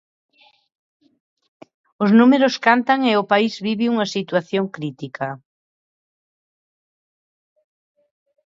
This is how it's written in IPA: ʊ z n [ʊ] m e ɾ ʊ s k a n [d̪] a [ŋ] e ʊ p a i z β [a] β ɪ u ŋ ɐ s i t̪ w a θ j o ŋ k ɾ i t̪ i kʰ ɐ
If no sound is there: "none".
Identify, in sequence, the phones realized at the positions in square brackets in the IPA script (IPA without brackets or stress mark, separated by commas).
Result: u, t̪, ŋ, i